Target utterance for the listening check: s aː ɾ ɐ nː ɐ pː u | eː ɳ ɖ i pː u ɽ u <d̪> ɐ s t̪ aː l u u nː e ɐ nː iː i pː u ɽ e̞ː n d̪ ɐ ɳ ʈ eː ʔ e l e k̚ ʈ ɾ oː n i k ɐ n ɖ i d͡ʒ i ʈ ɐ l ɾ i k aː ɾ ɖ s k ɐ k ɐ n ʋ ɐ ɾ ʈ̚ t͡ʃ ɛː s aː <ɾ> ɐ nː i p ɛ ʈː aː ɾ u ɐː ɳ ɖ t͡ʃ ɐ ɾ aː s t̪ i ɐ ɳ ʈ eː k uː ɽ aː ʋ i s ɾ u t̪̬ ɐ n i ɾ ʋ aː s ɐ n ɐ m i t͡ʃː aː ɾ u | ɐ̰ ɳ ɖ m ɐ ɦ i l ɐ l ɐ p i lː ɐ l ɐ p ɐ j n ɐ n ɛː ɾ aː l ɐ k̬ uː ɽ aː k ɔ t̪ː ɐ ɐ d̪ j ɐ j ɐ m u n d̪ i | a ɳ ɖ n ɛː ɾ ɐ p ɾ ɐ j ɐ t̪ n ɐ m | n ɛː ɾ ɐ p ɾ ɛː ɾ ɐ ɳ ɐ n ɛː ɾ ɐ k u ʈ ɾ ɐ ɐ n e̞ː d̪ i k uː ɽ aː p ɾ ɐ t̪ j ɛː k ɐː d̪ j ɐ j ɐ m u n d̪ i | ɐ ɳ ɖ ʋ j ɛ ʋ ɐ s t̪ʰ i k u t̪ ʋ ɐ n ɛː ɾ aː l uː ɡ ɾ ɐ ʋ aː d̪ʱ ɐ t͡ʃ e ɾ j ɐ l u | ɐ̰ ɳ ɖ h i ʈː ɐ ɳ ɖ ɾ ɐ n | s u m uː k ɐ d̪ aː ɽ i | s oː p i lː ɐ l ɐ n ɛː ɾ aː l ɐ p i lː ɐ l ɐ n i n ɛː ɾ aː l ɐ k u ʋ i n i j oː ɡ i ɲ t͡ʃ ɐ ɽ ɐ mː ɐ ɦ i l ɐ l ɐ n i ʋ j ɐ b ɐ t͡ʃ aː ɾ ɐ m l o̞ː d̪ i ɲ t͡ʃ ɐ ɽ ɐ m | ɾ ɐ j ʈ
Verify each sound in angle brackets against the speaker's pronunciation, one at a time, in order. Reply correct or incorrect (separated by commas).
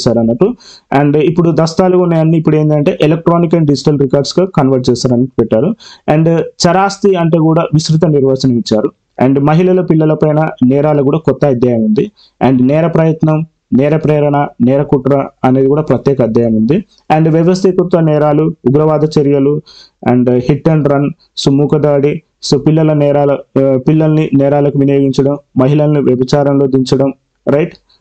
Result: correct, correct